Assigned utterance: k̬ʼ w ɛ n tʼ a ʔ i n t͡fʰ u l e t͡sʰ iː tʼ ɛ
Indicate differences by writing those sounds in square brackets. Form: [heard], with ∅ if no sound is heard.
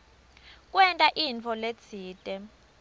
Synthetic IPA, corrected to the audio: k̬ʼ w ɛ n tʼ a ʔ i n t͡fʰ [ɔ] l e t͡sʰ iː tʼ ɛ